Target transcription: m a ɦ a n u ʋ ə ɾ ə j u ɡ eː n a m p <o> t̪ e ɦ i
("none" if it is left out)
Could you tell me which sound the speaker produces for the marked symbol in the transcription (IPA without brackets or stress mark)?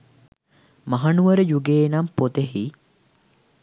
o